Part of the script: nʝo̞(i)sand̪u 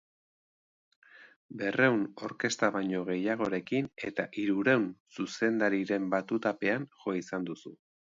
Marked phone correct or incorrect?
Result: correct